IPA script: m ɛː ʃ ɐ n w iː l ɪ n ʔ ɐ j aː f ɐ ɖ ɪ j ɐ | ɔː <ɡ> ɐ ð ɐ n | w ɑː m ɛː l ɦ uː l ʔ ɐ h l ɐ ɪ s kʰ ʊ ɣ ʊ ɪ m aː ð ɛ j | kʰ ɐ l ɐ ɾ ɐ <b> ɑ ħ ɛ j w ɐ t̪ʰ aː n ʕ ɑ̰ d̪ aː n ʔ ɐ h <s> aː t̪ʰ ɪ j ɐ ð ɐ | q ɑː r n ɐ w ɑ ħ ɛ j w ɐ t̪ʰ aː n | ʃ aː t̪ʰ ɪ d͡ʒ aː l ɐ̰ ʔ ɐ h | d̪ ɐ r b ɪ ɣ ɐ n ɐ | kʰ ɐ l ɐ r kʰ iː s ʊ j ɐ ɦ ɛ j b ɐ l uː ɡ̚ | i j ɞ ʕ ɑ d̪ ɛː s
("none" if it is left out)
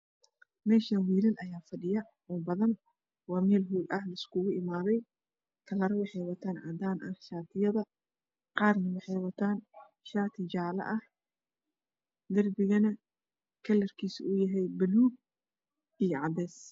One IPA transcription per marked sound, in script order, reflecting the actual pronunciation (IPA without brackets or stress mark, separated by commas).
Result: b, w, ʃ